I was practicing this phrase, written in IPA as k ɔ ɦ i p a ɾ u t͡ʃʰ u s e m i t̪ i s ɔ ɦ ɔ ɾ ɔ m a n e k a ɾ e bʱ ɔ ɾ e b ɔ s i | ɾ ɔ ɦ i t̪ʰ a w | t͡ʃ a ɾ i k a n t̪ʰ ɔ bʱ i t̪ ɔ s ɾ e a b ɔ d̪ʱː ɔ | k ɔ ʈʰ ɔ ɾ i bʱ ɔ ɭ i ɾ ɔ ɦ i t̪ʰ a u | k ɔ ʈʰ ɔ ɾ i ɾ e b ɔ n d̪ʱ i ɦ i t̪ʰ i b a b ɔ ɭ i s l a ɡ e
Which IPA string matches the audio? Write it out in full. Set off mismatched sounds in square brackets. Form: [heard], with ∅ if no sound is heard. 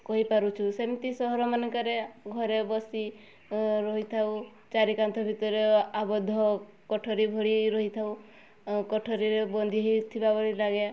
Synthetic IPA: k ɔ ɦ i p a ɾ u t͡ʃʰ u s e m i t̪ i s ɔ ɦ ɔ ɾ ɔ m a n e k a ɾ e [ɡʱ] ɔ ɾ e b ɔ s i | ɾ ɔ ɦ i t̪ʰ a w | t͡ʃ a ɾ i k a n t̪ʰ ɔ bʱ i t̪ ɔ [∅] ɾ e a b ɔ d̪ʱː ɔ | k ɔ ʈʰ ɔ ɾ i bʱ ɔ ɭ i ɾ ɔ ɦ i t̪ʰ a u | k ɔ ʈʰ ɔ ɾ i ɾ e b ɔ n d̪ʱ i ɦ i t̪ʰ i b a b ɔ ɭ i [∅] l a ɡ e